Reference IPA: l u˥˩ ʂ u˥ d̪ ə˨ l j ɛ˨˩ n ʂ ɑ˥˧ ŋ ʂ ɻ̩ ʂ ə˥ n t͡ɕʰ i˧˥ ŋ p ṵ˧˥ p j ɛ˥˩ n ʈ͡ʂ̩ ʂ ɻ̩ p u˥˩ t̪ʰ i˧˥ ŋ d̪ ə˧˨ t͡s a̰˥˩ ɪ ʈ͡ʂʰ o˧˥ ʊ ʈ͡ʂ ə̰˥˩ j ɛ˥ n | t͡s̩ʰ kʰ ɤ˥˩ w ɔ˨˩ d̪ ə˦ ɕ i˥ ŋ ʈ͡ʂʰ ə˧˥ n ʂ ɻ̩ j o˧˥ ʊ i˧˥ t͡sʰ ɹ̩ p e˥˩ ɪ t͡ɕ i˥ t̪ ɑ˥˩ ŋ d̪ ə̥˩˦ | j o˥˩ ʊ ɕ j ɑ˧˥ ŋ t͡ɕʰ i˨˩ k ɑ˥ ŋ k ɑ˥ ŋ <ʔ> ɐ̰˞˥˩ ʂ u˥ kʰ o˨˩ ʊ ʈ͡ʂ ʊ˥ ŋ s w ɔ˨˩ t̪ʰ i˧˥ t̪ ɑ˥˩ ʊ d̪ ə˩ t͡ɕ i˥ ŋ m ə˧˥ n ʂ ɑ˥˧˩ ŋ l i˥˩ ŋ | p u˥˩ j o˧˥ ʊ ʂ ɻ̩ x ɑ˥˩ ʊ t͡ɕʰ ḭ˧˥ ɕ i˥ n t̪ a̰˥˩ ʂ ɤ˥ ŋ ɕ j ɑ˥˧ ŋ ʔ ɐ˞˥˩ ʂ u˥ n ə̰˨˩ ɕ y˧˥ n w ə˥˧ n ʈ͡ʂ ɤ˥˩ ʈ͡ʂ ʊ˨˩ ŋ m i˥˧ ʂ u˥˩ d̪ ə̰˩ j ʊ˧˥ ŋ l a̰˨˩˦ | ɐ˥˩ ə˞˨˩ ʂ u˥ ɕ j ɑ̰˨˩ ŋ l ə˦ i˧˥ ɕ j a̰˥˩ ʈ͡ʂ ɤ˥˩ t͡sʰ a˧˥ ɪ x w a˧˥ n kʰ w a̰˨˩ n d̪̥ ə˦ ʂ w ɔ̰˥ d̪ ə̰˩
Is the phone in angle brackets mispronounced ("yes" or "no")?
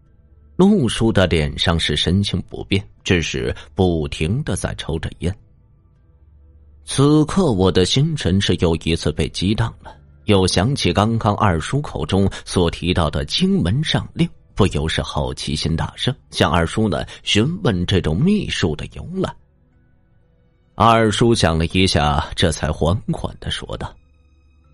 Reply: no